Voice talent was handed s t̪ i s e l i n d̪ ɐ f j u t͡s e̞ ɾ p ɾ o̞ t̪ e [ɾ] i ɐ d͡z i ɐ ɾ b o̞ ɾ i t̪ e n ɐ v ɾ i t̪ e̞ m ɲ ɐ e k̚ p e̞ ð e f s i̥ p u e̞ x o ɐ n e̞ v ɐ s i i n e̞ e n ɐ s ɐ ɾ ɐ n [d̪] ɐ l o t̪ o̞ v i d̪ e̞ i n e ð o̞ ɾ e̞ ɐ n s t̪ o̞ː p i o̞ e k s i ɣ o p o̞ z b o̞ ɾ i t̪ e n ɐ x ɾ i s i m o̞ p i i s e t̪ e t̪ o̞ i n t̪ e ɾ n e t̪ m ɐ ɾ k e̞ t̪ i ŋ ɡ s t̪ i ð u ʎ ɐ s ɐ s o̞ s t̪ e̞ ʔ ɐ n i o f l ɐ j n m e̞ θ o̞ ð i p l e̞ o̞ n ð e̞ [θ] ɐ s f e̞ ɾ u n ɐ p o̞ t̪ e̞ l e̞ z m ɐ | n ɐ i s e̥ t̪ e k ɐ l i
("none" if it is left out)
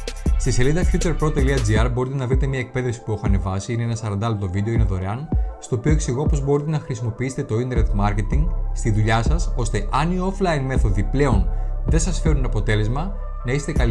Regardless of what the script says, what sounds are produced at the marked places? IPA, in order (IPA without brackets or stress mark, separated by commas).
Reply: l, d̪, s